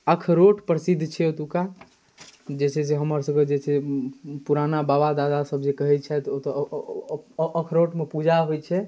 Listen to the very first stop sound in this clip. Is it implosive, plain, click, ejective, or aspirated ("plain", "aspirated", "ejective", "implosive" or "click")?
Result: aspirated